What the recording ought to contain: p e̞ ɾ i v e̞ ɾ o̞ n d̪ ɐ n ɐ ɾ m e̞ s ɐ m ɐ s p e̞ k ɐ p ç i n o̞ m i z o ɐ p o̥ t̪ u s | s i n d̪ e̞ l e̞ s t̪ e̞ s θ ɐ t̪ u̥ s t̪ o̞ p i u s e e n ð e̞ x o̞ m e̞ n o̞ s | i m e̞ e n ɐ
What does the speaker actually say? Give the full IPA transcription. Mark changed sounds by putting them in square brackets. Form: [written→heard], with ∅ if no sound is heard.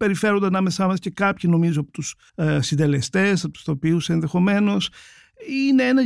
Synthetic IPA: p e̞ ɾ i [v→f] e̞ ɾ o̞ n d̪ ɐ n ɐ [ɾ→∅] m e̞ s ɐ m ɐ s [p→c] e̞ k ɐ p ç i n o̞ m i z o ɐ p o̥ t̪ u s | s i n d̪ e̞ l e̞ s t̪ e̞ s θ ɐ t̪ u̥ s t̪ o̞ p i u s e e n ð e̞ x o̞ m e̞ n o̞ s | i [m→n] e̞ e n ɐ